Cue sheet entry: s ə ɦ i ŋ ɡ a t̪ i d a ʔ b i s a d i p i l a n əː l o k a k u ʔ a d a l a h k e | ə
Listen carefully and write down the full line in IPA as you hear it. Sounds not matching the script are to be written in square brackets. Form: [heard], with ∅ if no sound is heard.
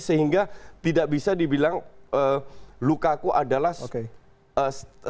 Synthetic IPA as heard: s ə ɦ i ŋ ɡ a t̪ i d a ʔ b i s a d i [b] i l a [ŋ] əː l [u] k a k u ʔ a d a l a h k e | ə